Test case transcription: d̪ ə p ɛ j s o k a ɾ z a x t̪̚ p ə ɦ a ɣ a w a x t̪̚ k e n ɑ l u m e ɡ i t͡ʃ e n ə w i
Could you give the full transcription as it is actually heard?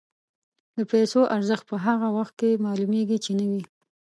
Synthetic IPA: d̪ ə p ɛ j s o ʔ a ɾ z ə x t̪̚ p ə ɦ a ɣ a w a x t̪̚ k e m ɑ l u m e ɡ i t͡ʃ e n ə w i